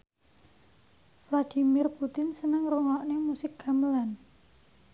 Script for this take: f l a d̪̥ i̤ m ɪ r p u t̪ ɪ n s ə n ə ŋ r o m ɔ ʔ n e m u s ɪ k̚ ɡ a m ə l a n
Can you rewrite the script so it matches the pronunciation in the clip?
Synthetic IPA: f l a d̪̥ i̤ m ɪ r p u t̪ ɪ n s ə n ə ŋ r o ŋ ɔ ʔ n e m u s ɪ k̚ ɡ a m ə l a n